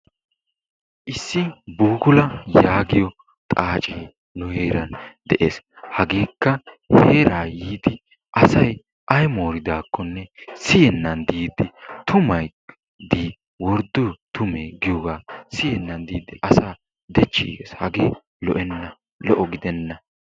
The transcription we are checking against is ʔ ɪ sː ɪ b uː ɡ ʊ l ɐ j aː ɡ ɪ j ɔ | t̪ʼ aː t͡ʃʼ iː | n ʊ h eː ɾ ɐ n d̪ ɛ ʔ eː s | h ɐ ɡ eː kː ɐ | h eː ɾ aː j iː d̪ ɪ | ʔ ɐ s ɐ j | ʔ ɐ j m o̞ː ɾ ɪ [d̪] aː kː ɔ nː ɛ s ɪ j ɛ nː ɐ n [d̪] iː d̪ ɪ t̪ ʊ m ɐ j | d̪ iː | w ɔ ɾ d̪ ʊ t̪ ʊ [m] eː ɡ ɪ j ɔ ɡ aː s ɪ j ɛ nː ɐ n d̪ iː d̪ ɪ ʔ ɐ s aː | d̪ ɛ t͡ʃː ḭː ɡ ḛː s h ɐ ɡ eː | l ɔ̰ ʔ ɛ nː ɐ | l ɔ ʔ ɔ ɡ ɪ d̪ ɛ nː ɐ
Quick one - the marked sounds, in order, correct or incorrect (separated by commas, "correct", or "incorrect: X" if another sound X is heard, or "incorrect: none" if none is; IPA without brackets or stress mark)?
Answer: correct, correct, correct